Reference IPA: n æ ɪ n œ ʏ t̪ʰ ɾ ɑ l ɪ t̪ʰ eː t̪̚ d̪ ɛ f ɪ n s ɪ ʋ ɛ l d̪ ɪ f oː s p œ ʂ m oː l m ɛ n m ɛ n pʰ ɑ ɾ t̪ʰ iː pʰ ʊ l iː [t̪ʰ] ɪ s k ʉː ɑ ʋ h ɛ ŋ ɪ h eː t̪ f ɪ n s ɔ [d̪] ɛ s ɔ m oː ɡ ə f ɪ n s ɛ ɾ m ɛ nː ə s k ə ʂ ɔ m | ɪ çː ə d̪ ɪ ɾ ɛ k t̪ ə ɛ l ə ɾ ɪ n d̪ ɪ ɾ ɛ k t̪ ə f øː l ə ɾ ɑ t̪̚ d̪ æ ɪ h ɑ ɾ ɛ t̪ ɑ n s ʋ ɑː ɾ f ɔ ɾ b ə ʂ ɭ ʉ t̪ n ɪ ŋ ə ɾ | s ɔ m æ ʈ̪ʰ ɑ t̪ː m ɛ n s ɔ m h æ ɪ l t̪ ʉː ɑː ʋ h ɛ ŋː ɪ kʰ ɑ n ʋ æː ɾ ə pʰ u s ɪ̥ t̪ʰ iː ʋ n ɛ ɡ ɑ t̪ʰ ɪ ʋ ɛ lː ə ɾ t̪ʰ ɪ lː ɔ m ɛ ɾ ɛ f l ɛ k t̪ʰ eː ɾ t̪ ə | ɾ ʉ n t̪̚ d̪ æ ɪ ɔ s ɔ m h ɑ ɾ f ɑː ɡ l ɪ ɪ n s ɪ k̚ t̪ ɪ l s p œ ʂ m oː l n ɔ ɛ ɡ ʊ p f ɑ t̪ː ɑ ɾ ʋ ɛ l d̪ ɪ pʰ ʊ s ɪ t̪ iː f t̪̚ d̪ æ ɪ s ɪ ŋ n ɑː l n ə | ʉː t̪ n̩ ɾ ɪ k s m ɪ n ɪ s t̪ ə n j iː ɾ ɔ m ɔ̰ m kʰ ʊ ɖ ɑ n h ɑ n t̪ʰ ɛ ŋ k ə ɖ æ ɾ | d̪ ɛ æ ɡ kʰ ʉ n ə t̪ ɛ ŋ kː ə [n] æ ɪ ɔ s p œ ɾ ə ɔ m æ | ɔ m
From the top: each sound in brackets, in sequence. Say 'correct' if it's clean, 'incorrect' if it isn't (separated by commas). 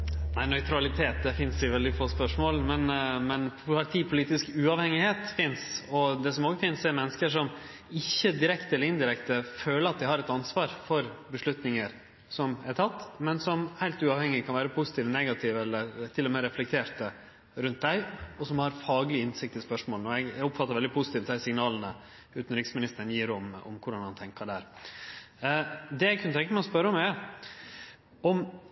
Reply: incorrect, correct, incorrect